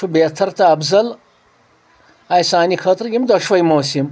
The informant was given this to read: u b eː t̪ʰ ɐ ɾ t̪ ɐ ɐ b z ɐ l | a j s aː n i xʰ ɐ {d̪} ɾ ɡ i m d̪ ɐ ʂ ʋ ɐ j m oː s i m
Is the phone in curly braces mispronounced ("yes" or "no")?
yes